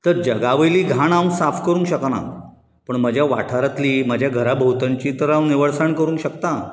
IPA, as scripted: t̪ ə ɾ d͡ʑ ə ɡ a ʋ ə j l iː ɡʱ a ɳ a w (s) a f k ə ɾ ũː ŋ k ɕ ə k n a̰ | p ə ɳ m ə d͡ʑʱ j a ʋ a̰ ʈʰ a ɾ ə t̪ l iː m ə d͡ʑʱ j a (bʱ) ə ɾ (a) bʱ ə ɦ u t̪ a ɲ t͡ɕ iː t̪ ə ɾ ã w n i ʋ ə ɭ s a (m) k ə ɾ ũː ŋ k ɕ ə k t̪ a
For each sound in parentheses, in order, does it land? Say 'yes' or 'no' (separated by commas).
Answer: yes, no, yes, no